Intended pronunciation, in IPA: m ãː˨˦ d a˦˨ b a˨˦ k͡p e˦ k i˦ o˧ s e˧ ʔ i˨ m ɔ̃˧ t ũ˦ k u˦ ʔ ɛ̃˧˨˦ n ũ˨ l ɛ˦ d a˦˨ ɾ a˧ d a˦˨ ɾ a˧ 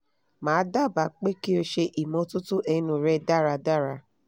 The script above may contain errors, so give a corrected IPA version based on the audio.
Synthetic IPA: m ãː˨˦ d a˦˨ b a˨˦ k͡p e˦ k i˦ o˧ ʃ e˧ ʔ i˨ m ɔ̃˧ t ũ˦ t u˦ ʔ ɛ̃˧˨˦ n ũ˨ ɾ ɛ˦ d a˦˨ ɾ a˧ d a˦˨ ɾ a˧